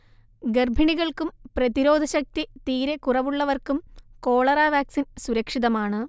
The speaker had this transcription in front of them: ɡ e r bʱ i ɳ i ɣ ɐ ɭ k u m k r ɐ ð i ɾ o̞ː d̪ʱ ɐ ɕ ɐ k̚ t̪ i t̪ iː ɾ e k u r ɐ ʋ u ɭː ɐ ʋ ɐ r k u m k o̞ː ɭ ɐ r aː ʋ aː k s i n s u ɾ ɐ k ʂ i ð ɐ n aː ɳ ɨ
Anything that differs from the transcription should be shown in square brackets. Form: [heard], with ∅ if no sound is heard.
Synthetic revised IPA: ɡ e r bʱ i ɳ i ɣ ɐ ɭ k u m [p] r ɐ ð i ɾ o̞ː d̪ʱ ɐ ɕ ɐ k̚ t̪ i t̪ iː ɾ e k u r ɐ ʋ u ɭː ɐ ʋ ɐ r k u m k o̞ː ɭ ɐ r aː ʋ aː k s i n s u ɾ ɐ k ʂ i ð ɐ [m] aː ɳ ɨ